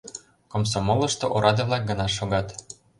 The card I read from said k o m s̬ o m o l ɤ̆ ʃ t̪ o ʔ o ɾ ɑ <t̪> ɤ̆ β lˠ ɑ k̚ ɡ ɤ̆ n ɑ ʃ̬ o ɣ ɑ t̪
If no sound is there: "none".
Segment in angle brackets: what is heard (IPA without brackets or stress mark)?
d̪